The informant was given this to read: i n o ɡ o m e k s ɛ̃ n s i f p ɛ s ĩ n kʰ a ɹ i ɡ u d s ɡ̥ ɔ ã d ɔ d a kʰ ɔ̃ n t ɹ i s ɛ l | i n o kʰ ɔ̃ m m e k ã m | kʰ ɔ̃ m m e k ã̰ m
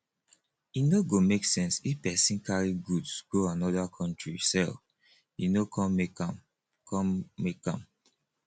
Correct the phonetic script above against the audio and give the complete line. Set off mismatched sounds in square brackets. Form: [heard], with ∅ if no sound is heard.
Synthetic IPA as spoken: i n o ɡ o m e k s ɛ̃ n s i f p ɛ s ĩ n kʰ a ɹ i ɡ u d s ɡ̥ [o] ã [n] ɔ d a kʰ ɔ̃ n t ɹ i s ɛ l | i n o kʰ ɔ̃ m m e k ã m | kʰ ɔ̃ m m e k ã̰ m